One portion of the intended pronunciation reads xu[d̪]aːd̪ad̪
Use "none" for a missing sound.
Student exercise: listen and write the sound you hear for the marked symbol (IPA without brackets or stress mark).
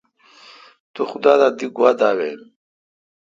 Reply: d̪